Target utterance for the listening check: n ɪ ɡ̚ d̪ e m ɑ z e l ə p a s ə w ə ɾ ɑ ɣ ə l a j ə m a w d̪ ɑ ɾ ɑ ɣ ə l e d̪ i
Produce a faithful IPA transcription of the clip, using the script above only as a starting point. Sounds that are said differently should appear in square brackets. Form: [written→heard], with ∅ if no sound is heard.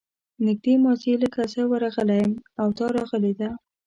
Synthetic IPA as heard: n ɪ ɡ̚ d̪ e m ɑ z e l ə [p→k] a s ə w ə ɾ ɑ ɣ ə l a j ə m a w [d̪→t̪] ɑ ɾ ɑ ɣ ə l e d̪ [i→a]